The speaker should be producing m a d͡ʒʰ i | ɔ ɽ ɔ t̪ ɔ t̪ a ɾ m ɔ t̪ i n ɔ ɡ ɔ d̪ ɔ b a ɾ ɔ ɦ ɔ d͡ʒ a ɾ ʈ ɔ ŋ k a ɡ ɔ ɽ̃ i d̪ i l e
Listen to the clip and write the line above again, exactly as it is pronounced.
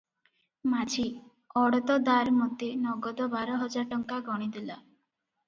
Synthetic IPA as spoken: m a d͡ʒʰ i | ɔ ɽ ɔ t̪ ɔ d̪ a ɾ m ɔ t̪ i n ɔ ɡ ɔ d̪ ɔ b a ɾ ɔ ɦ ɔ d͡ʒ a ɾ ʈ ɔ ŋ k a ɡ ɔ ɽ̃ i d̪ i l a

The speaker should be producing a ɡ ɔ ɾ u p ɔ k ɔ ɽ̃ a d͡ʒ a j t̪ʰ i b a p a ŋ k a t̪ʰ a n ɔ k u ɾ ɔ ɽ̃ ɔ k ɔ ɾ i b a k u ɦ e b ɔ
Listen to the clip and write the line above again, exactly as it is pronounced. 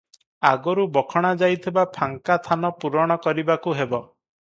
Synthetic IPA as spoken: a ɡ ɔ ɾ u b ɔ kʰ ɔ ɽ̃ a d͡ʒ a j t̪ʰ i b a pʰ a ŋ k a t̪ʰ a n ɔ p u ɾ ɔ ɽ̃ ɔ k ɔ ɾ i b a k u ɦ e b ɔ

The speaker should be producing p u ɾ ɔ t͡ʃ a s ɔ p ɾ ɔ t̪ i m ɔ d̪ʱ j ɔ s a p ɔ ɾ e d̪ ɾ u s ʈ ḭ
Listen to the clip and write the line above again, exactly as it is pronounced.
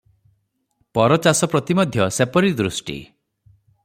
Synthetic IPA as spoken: p ɔ ɾ ɔ t͡ʃ a s ɔ p ɾ ɔ t̪ i m ɔ d̪ʱ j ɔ s e p ɔ ɾ i d̪ ɾ u s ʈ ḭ

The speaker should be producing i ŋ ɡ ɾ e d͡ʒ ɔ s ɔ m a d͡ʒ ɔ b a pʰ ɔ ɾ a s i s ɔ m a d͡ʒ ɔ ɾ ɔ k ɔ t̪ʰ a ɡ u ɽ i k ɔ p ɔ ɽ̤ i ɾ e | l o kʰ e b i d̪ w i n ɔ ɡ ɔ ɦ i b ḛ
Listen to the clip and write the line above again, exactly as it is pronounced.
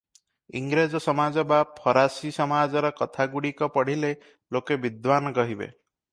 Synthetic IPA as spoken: i ŋ ɡ ɾ e d͡ʒ ɔ s ɔ m a d͡ʒ ɔ b a pʰ ɔ ɾ a s i s ɔ m a d͡ʒ ɔ ɾ ɔ k ɔ t̪ʰ a ɡ u ɽ i k ɔ p ɔ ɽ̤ i l e | l o k e b i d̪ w a n ɔ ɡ ɔ ɦ i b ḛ

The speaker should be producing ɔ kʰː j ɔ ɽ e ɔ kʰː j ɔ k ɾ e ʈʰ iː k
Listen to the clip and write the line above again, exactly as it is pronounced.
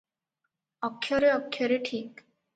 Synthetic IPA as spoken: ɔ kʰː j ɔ ɾ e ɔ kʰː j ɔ ɾ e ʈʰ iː k

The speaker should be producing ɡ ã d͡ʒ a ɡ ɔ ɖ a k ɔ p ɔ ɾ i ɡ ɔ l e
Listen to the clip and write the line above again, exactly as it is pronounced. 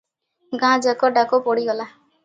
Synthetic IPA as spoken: ɡ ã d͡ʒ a k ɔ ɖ a k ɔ p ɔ ɽ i ɡ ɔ l a

